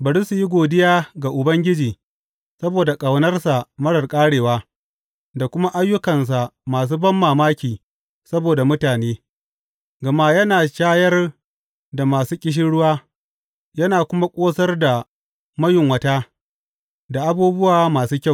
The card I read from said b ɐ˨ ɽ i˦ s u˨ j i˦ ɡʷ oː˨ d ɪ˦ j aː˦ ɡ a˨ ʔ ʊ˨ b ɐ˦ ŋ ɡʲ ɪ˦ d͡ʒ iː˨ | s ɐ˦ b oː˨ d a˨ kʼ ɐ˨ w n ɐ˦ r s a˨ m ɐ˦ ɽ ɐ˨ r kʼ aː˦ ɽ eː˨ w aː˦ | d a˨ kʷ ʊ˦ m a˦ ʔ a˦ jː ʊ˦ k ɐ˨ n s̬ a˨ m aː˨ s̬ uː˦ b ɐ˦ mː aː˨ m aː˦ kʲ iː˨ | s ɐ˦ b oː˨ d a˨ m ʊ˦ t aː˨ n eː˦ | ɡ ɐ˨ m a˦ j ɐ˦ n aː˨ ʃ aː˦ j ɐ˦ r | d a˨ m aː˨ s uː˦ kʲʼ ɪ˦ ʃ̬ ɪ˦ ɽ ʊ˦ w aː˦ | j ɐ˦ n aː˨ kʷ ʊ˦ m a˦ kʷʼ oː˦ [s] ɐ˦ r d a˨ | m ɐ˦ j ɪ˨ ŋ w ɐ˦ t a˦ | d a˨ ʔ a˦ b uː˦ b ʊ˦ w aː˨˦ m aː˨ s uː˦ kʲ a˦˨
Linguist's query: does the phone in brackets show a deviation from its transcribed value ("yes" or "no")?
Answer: no